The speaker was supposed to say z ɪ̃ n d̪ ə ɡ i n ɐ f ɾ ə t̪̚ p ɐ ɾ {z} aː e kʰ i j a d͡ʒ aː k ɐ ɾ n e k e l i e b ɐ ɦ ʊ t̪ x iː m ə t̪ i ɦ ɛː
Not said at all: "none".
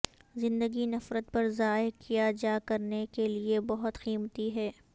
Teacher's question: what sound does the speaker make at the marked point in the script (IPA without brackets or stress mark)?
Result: z